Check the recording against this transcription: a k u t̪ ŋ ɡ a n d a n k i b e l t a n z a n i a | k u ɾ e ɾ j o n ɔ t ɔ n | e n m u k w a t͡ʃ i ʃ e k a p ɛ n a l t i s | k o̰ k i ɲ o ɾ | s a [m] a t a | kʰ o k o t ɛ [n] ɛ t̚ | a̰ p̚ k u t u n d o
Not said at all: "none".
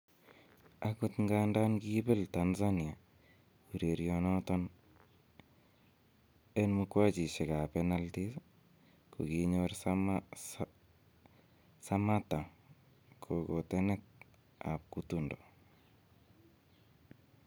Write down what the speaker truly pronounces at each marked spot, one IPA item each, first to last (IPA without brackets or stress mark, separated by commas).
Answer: m, n